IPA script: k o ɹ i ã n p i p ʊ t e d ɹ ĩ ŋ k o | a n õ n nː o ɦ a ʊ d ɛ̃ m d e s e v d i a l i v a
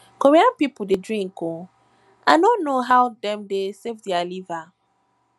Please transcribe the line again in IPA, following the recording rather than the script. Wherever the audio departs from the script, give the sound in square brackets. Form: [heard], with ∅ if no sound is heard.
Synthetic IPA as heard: k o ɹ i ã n p i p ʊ [d] e d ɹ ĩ ŋ k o | a n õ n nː o ɦ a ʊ d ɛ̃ m d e s e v d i a l i v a